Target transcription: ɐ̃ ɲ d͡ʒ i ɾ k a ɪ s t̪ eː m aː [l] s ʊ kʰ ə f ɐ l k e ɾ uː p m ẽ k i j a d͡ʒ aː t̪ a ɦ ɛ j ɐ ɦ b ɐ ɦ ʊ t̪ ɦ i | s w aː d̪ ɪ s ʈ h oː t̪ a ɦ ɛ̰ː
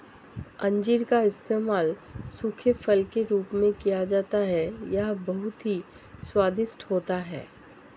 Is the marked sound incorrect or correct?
correct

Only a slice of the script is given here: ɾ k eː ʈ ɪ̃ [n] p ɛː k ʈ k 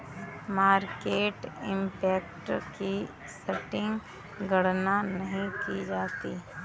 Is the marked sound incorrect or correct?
incorrect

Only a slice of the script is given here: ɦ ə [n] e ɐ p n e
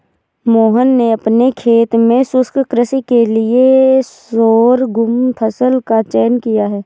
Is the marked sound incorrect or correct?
incorrect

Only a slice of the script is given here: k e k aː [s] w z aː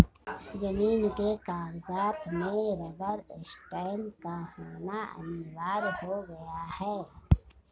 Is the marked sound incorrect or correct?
incorrect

